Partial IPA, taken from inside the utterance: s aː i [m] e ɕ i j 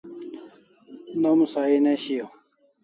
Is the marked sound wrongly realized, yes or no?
yes